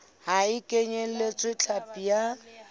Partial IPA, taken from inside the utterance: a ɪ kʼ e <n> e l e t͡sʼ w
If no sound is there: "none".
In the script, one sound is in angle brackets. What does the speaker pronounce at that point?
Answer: ɲ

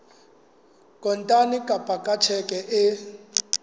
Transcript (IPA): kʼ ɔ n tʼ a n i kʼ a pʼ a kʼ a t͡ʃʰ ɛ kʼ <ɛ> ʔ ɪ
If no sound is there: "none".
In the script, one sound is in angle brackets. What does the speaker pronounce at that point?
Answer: ɛ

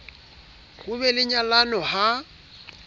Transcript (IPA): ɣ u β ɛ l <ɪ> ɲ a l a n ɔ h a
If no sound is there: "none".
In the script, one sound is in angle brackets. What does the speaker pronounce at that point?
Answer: ɪ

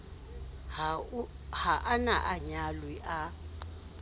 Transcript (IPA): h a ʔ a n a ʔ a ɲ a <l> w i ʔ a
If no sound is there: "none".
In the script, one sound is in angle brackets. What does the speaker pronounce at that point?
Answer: l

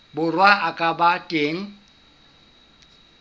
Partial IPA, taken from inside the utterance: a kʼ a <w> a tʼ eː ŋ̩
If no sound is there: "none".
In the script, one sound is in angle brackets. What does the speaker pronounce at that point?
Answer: b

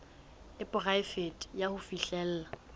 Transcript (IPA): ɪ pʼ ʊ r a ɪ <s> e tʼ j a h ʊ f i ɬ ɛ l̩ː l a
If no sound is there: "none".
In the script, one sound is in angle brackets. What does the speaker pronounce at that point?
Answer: f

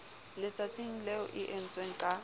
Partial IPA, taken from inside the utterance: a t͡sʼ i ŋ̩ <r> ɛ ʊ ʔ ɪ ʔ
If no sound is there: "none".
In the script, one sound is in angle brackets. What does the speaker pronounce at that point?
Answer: l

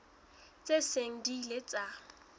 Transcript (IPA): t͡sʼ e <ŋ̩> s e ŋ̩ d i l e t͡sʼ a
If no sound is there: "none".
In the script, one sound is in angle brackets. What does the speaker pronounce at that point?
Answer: none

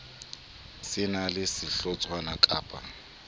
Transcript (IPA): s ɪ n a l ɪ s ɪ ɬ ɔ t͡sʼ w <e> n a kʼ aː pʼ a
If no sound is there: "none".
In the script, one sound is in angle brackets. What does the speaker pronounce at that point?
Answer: a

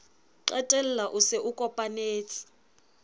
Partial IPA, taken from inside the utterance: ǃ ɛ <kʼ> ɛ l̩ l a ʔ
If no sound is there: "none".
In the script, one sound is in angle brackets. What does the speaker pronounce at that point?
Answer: tʼ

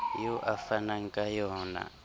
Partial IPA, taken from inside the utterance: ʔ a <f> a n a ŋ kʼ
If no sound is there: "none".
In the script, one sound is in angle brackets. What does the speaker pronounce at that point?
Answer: f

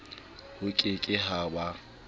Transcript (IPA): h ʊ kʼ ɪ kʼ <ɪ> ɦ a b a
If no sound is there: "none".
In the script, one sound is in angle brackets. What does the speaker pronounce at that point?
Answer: ɪ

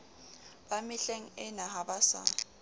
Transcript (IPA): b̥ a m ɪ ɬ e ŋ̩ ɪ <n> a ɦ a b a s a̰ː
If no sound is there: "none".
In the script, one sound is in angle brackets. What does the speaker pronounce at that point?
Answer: n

